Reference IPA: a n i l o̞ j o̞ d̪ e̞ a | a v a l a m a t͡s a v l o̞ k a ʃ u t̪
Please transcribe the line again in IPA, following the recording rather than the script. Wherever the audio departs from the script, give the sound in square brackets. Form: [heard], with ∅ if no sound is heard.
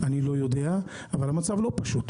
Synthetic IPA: a n i l o̞ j o̞ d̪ e̞ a | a v a l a m a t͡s a v l o̞ [p] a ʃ u t̪

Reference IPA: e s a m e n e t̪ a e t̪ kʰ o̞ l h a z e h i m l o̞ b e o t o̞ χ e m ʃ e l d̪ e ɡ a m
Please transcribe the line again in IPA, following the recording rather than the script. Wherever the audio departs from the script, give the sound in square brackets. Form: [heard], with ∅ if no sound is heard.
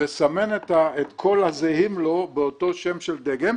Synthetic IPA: e s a m e n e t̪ a e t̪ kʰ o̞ l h a z e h i m l o̞ b e o t o̞ [ʃ] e m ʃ e l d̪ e ɡ [e] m

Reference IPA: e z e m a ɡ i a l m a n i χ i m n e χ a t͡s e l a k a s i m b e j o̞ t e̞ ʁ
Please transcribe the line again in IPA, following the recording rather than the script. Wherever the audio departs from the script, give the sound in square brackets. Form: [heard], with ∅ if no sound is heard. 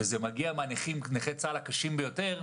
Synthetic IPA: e z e m a ɡ i a [∅] m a n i χ i m n e χ [e] t͡s [a] l a k a [ʃ] i m b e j o̞ t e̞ ʁ

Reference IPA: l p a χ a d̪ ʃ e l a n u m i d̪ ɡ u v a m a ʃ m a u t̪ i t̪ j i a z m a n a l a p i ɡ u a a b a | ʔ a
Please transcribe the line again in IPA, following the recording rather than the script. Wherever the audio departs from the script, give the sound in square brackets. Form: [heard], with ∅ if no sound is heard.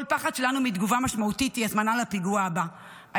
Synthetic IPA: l p a χ a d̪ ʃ e l a n u m i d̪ ɡ u v a m a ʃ m a u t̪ i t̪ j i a z m a n a l a p i ɡ u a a b a | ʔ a

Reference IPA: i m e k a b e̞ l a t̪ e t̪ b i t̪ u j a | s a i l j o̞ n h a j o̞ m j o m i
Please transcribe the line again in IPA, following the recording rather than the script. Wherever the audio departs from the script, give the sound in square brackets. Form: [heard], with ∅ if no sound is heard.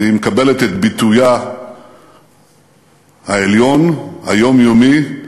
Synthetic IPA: i m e k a b e̞ l [e] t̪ e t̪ b i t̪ u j a | [h] a [e] l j o̞ n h a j o̞ m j o m i

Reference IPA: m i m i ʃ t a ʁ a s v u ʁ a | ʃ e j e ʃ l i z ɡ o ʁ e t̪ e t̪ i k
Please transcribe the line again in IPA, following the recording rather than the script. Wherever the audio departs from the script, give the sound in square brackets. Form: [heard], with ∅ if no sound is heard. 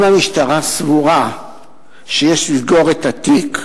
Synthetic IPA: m [a] m i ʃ t a ʁ a s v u ʁ a | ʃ e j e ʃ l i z ɡ o ʁ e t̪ [a] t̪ i k

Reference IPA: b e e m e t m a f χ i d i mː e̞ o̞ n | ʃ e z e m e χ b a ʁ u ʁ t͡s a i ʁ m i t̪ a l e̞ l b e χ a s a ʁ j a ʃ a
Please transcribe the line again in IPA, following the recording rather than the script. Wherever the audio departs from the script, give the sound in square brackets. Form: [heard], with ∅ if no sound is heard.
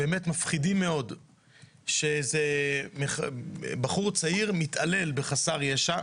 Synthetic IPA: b e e m e t m a f χ i d i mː e̞ o̞ [d] | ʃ e z e m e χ b a [χ] u ʁ t͡s a i ʁ m i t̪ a l e̞ l b e χ a s a ʁ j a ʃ a

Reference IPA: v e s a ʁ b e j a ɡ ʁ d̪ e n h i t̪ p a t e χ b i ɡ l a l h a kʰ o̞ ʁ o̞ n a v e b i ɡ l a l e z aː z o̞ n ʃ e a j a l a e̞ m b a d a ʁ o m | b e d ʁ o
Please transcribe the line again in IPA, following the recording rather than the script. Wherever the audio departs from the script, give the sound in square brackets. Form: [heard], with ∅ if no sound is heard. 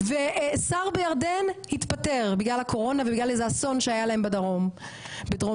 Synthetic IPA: v e s a ʁ b e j a [∅] ʁ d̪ e n h i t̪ p a t e [ʁ] b i ɡ l a l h a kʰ o̞ ʁ o̞ n a v e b i ɡ l a l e z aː [s] o̞ n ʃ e a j a l a e̞ m b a d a ʁ o m | b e d ʁ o

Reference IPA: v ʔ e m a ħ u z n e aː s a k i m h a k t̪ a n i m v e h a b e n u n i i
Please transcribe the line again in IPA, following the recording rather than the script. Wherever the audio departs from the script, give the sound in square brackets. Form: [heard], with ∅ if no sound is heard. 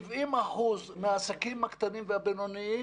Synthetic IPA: v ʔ [i] m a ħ u z [m] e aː s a k i m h a k t̪ a n i m v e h a b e n [o] n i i

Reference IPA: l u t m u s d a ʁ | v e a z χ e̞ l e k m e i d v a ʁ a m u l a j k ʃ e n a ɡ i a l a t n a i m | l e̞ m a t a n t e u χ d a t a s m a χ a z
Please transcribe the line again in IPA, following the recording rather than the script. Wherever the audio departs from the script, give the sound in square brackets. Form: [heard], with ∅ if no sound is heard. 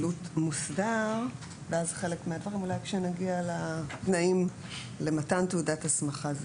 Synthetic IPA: l u t m u s d a ʁ | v e a z χ e̞ l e k m e [a] d v a ʁ [i] m u l a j k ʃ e n a ɡ i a l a t n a i m | l e̞ m a t a n t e u [∅] d a t a s m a χ a z

